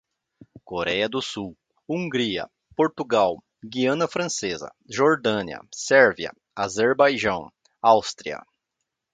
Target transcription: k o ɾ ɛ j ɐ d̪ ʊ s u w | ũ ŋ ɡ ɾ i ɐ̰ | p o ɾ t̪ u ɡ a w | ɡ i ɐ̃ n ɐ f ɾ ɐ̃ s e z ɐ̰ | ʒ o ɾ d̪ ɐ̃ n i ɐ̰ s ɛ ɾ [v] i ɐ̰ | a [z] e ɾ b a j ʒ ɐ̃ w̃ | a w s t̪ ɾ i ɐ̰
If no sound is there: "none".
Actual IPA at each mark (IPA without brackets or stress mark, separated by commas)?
v, z